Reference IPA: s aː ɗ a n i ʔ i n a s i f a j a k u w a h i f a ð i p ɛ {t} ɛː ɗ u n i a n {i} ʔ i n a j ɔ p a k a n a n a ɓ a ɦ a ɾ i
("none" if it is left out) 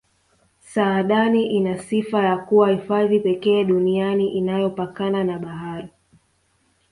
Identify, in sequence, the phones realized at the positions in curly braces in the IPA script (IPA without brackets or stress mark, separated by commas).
k, i